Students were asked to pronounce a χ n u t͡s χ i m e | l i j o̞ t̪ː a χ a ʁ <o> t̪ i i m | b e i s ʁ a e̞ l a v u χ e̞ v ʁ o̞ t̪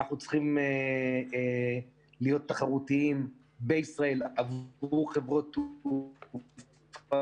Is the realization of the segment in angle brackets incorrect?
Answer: yes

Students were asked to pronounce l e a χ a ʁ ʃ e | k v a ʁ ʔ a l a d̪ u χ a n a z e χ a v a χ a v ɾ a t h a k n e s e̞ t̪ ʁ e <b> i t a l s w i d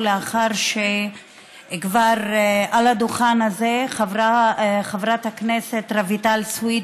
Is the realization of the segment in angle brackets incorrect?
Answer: yes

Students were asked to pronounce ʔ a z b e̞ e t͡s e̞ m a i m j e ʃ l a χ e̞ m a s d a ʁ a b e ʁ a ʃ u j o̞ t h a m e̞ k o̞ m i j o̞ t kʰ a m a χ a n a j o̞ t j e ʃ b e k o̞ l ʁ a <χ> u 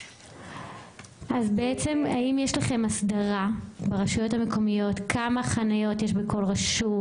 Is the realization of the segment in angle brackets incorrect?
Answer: yes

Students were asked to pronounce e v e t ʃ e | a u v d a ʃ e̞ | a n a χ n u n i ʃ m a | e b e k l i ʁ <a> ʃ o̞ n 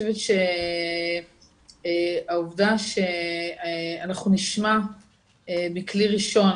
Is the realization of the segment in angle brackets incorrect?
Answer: yes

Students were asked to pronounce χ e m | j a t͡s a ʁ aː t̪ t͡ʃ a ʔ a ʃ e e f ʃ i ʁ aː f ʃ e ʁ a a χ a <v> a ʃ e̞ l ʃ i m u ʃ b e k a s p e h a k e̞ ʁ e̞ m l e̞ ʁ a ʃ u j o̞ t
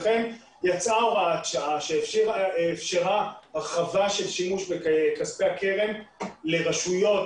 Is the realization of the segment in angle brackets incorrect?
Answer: no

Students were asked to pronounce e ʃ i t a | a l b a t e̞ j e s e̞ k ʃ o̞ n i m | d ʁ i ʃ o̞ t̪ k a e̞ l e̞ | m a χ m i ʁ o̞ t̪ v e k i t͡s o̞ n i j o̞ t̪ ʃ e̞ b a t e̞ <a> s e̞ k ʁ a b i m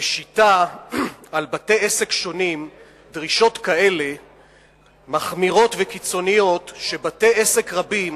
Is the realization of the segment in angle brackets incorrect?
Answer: yes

